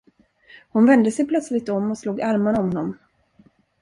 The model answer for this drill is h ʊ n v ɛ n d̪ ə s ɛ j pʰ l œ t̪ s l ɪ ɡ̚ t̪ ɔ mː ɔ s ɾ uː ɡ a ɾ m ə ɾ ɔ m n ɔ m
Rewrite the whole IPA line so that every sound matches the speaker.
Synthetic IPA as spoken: h ʊ n v ɛ n d̪ ə s ɛ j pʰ l œ t̪ s l ɪ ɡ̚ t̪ ɔ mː ɔ s l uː ɡ a ɾ m a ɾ ɔ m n ɔ m